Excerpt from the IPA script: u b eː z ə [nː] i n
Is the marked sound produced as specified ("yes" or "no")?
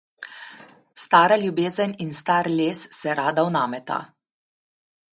no